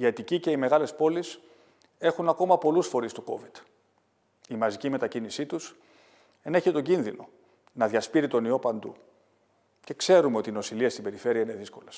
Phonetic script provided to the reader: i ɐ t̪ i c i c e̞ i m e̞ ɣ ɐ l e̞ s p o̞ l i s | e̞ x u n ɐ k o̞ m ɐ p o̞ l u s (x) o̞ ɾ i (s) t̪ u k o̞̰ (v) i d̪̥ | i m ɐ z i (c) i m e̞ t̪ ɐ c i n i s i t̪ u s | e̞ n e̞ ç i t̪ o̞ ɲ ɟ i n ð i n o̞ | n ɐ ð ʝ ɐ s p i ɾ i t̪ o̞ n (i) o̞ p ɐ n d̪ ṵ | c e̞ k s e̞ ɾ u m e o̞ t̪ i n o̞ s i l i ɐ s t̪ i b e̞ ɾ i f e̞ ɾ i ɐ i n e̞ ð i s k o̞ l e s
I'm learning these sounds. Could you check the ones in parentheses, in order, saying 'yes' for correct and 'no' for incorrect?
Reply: no, yes, yes, yes, yes

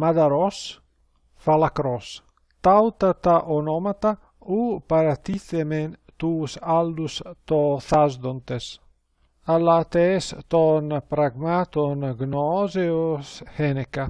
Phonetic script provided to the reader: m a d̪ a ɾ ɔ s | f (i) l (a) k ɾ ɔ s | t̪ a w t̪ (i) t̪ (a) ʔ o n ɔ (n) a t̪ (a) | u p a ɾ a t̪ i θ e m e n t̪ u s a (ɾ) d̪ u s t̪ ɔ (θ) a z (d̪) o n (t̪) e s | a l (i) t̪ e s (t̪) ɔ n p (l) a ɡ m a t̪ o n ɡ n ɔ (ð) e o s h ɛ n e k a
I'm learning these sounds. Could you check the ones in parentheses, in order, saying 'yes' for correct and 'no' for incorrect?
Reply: no, yes, no, yes, no, yes, no, yes, yes, yes, no, yes, no, no

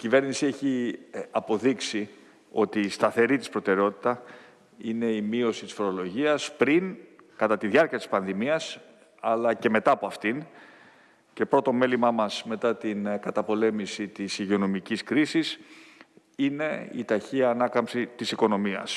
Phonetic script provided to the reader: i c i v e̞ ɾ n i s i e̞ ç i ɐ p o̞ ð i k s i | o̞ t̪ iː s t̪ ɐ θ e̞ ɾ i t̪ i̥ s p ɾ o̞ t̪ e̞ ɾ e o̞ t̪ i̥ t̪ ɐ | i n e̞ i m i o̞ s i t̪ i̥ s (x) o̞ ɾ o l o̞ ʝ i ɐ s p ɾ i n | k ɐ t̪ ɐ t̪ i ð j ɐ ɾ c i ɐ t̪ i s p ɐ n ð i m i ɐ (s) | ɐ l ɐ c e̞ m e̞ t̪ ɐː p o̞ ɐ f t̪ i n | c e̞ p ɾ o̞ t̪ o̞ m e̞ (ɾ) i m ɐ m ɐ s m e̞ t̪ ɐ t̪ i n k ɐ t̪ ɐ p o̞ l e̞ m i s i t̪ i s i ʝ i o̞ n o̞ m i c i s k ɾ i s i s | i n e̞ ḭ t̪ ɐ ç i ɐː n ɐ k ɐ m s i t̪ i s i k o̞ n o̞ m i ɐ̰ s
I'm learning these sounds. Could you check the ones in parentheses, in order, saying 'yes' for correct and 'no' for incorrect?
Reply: no, yes, no

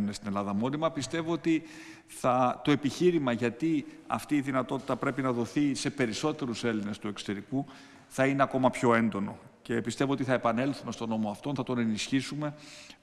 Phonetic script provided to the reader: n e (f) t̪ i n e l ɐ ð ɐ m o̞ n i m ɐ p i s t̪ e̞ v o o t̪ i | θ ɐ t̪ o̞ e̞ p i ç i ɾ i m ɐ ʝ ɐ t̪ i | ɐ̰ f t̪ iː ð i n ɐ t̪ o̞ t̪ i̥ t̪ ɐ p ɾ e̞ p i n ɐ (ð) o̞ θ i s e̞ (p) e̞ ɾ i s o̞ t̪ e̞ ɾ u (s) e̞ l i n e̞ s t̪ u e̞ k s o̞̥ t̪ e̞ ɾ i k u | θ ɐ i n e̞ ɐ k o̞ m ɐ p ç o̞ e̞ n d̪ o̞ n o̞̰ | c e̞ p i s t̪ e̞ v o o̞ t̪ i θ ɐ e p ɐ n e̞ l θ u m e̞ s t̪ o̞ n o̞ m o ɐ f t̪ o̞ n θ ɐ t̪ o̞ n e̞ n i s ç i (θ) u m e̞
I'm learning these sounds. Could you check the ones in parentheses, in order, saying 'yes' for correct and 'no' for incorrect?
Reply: no, yes, yes, yes, no

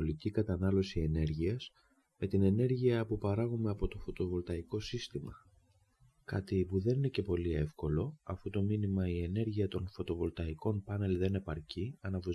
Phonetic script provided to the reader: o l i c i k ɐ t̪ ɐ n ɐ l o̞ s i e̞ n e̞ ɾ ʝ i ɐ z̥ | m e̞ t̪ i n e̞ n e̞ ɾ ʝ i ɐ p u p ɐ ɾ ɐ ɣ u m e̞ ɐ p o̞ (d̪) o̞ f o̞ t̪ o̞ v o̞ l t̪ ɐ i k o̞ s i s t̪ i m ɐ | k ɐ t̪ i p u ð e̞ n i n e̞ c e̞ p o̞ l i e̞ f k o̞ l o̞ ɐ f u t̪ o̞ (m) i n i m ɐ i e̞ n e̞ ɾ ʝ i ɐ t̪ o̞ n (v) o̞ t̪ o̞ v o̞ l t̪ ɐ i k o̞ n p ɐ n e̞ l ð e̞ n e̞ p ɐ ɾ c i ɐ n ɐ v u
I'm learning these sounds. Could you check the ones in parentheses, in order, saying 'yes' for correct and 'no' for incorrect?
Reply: no, yes, no

